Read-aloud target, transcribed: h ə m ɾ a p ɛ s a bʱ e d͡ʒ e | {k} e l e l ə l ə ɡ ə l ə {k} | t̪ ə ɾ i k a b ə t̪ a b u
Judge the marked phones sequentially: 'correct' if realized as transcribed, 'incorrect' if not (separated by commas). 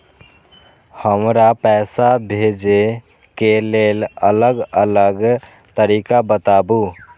correct, incorrect